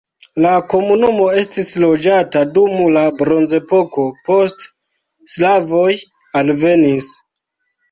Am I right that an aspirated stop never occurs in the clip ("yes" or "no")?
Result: yes